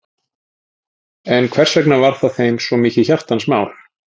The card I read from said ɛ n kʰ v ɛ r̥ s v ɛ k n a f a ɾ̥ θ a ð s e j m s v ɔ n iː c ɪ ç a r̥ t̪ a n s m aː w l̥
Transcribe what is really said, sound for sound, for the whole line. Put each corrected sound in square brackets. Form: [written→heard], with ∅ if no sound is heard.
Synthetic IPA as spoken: ɛ n kʰ v ɛ r̥ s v ɛ k n a [f→v] a ɾ̥ θ a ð [s→θ] e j m s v ɔ [n→m] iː c ɪ ç a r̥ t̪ a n s m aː w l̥